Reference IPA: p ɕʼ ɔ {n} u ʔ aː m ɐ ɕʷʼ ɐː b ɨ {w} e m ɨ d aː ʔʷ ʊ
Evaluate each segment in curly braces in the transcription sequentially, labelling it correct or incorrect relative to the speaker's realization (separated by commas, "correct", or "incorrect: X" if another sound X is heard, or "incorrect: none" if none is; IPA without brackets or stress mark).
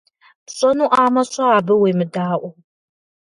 correct, correct